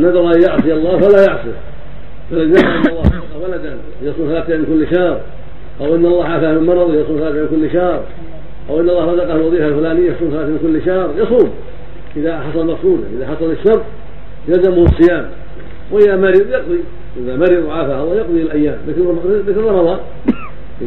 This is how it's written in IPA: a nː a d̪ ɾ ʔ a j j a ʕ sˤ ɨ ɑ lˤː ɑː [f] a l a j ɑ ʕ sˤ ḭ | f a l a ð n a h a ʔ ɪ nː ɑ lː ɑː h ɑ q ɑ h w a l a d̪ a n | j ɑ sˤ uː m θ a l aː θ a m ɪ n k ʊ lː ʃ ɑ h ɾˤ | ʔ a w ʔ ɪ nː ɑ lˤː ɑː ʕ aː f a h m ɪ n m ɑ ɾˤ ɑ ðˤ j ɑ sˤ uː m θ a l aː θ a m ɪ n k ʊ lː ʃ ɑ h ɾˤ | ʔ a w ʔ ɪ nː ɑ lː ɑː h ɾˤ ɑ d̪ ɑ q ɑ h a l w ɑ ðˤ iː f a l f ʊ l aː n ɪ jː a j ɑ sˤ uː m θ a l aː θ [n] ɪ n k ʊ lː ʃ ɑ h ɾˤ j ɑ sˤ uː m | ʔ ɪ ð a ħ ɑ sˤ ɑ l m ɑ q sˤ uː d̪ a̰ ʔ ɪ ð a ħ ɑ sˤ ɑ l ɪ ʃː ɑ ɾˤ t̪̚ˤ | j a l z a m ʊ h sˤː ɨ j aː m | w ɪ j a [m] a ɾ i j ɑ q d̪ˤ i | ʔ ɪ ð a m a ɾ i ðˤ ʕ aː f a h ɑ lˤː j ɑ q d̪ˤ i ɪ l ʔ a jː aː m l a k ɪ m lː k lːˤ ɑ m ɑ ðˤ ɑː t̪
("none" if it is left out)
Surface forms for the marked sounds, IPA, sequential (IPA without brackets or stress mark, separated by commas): f, m, m